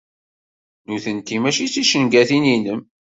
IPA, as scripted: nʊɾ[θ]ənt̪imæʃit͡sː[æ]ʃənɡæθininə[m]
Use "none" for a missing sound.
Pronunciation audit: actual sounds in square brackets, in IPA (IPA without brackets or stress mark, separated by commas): θ, i, m